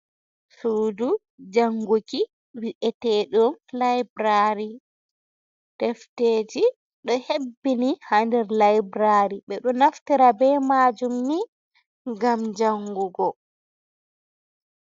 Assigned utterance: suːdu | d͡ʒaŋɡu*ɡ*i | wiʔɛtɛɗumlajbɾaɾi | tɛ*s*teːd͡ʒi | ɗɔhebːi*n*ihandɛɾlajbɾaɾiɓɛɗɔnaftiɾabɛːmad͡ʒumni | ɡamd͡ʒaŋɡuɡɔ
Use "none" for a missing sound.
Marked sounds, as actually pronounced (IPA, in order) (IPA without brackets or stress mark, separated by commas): k, f, n